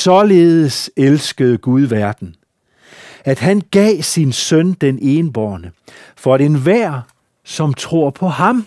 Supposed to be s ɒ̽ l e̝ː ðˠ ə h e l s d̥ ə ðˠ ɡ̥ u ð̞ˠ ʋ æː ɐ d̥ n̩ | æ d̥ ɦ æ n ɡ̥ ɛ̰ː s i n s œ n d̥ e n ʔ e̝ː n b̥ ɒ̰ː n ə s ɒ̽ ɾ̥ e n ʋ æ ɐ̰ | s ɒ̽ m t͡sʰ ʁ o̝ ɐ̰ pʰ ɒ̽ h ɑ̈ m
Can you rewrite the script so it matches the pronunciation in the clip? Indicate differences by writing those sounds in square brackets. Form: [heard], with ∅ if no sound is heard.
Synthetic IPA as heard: s ɒ̽ l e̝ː ðˠ ə [s] e l s [ɡ̥] ə ðˠ ɡ̥ u ð̞ˠ ʋ [æ] ɐ d̥ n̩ | æ d̥ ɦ æ n ɡ̥ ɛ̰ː s i n s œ n d̥ e n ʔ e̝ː n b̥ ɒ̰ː n ə [f] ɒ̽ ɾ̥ e n ʋ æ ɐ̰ | s ɒ̽ m t͡sʰ ʁ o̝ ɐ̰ pʰ ɒ̽ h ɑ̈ m